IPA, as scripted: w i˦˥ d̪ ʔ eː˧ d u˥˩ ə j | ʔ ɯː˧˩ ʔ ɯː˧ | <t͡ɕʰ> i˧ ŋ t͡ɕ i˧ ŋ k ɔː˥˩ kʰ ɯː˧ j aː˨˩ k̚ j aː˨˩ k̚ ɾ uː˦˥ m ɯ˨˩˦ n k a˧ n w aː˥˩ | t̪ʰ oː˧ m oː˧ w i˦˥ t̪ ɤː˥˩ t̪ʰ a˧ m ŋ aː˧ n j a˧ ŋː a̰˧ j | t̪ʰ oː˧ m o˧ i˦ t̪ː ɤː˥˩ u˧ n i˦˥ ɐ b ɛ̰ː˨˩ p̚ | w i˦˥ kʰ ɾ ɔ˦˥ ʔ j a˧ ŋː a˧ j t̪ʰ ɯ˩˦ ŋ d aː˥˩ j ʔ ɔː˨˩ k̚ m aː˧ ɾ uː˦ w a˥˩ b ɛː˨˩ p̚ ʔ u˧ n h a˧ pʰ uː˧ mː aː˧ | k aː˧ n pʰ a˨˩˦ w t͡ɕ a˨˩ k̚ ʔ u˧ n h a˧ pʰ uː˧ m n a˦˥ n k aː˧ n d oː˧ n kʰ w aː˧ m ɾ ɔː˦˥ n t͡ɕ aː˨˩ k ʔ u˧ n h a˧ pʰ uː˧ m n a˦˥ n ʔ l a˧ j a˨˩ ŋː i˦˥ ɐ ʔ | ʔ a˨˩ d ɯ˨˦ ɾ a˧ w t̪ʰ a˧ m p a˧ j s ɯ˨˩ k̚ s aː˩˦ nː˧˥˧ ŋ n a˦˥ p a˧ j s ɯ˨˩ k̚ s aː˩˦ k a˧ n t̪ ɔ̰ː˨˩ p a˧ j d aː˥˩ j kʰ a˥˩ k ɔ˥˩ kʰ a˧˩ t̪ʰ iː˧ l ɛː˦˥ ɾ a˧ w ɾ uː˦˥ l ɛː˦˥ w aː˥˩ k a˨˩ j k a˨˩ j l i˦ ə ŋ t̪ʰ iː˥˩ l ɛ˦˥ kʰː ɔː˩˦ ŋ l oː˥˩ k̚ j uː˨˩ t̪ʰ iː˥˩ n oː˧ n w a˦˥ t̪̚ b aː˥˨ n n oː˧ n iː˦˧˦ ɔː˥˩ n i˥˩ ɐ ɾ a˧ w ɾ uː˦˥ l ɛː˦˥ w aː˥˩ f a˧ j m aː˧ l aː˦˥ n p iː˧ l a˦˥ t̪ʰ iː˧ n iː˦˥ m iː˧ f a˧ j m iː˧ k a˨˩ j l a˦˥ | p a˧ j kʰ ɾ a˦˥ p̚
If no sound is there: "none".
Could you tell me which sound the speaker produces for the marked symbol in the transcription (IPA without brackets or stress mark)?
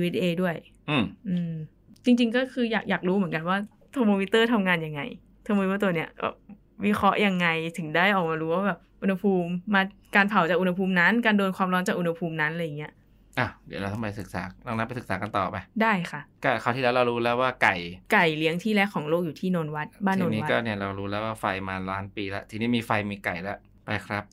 t͡ɕ